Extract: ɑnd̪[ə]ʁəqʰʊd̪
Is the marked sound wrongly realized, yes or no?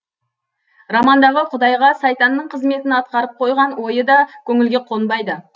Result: yes